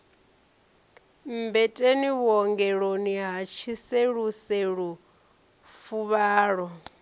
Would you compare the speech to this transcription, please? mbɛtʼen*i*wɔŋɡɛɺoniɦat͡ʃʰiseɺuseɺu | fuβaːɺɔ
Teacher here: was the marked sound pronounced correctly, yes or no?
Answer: yes